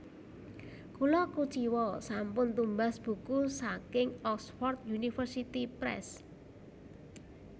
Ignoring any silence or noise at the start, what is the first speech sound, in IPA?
k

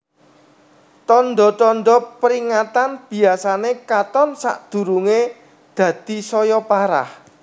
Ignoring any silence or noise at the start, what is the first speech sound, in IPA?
t̪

